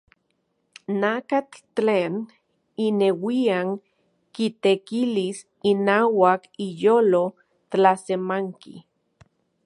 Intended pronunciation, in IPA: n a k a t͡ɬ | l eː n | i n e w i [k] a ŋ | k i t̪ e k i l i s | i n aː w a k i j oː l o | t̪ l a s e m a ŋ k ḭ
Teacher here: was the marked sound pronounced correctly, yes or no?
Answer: no